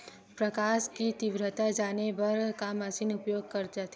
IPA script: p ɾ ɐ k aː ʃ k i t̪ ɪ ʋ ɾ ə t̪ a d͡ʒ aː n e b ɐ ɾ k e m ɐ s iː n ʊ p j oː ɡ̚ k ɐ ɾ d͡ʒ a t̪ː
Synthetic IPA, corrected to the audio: p ɾ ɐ k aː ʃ k i t̪ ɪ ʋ ɾ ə t̪ a d͡ʒ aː n e b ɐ ɾ k a m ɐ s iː n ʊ p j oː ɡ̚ k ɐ ɾ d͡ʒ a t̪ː